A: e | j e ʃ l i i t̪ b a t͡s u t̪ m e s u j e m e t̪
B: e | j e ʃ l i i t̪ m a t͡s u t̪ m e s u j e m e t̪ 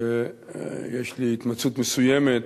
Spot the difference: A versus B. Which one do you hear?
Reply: B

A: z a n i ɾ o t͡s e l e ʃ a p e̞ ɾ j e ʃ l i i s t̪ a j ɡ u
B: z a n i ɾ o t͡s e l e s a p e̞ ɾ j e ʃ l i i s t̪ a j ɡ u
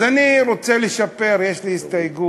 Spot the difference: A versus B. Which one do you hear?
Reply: A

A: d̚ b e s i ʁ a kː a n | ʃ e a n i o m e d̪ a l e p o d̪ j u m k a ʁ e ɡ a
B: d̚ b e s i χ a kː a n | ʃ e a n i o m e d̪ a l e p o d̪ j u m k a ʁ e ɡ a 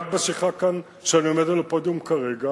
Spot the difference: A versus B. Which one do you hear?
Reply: B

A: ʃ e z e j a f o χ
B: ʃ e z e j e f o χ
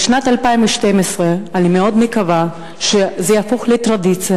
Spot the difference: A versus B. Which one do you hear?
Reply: A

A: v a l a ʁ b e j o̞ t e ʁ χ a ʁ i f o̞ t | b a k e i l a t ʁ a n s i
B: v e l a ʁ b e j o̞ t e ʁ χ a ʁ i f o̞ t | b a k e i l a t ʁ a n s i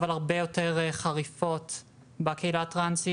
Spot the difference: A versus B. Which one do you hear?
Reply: A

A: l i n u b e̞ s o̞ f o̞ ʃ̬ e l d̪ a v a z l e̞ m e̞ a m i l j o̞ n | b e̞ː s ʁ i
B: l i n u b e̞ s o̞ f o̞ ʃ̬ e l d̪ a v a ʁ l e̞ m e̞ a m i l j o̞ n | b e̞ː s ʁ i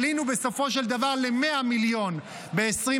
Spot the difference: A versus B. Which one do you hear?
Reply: B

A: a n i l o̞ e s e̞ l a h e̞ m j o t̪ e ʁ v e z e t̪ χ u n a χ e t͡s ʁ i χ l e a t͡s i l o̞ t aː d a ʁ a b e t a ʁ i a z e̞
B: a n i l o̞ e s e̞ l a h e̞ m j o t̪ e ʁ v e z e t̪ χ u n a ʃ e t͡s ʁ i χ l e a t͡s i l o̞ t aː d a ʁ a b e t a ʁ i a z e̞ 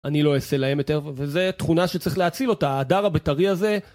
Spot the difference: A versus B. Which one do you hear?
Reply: B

